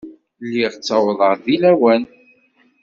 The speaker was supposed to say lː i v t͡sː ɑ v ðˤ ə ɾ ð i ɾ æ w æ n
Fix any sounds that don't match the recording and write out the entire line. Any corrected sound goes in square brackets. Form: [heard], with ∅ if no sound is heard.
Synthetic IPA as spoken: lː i [ʁ] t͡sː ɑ [w] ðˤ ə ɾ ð i [l] æ w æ n